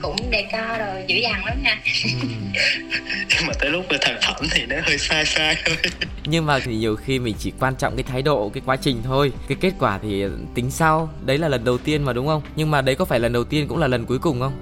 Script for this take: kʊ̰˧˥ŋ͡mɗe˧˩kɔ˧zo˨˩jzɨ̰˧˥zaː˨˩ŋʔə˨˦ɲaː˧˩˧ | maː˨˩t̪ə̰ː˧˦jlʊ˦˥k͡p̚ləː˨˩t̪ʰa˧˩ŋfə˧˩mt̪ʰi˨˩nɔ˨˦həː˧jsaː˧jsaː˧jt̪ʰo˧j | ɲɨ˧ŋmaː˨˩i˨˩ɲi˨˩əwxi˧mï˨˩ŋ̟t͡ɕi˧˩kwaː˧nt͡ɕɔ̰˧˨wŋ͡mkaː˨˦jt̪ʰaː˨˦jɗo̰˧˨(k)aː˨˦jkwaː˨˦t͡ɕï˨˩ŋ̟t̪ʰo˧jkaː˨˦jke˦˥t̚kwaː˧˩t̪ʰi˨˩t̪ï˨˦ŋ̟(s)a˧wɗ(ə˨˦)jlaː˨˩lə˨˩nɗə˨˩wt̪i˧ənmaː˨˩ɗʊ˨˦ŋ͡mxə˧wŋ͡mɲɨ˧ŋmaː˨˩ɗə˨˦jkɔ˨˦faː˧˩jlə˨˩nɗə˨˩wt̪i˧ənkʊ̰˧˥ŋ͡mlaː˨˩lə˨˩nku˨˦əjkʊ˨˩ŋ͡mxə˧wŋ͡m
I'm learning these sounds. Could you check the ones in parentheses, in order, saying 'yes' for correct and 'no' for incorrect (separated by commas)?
yes, yes, yes